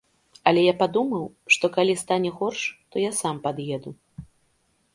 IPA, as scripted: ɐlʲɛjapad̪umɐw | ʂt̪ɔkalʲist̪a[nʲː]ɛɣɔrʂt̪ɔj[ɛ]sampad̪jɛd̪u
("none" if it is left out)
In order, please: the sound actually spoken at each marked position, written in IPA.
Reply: nʲ, a

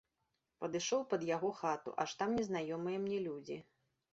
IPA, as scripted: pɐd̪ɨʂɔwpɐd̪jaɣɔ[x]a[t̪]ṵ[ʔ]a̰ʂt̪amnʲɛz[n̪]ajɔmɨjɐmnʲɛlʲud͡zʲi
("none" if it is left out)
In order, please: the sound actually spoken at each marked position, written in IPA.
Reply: x, t̪, ʔ, n̪

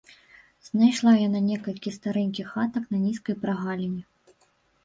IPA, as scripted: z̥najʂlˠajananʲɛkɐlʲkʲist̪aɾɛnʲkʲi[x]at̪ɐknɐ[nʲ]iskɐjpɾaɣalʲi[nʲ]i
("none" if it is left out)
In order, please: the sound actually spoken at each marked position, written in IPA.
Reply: x, nʲ, nʲ

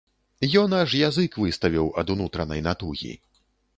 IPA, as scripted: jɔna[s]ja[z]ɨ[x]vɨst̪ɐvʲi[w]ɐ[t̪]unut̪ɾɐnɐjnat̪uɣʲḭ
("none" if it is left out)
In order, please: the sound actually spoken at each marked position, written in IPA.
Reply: ʂ, z, k, w, d̪

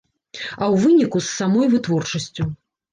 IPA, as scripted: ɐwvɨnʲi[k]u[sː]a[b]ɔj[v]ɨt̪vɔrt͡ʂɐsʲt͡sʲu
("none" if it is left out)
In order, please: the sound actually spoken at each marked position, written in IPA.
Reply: k, sː, m, v

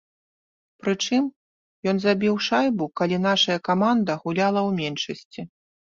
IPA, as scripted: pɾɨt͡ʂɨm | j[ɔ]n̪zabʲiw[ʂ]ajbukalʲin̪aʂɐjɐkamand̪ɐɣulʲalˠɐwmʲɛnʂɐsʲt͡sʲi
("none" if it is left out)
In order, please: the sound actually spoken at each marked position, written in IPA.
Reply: ɔ, ʂ

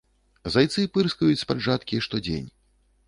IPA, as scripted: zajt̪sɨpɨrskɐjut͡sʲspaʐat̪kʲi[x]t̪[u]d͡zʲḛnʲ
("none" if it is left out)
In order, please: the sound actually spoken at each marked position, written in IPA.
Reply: ʂ, ɔ

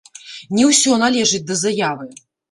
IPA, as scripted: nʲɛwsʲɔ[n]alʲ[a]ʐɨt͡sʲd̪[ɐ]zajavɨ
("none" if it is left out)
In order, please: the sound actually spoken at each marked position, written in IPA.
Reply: n, ɛ, ɐ

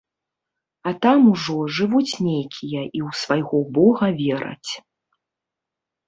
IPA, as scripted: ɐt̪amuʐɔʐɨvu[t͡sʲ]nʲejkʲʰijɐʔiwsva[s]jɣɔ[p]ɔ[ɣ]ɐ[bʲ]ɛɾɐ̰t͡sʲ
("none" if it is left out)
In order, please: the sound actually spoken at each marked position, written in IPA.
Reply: t͡sʲ, none, b, ɣ, vʲ

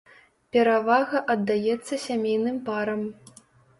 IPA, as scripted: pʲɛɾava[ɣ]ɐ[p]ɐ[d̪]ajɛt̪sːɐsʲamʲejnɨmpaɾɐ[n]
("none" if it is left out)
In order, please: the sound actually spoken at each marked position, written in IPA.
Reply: ɣ, ʔ, d̪ː, m

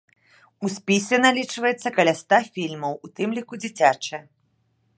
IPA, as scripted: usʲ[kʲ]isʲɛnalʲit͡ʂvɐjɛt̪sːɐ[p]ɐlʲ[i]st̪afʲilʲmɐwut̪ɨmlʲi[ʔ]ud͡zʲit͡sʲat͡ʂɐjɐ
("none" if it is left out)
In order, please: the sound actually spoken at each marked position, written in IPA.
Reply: pʲ, k, a, k

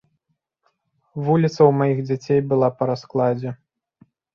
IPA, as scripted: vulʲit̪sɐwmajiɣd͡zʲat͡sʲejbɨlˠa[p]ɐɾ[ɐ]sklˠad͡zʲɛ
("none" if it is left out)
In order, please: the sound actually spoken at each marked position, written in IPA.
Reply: p, a

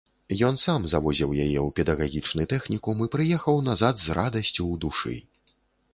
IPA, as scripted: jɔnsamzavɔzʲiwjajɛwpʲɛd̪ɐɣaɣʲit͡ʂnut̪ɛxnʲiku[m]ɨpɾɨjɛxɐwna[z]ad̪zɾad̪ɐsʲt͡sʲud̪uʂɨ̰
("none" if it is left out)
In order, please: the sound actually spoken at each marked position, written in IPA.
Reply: m, z

